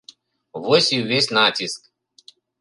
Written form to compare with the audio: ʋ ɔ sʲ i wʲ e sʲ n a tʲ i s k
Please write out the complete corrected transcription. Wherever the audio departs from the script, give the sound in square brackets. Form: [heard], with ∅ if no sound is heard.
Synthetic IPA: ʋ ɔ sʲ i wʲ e sʲ n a tʲ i s k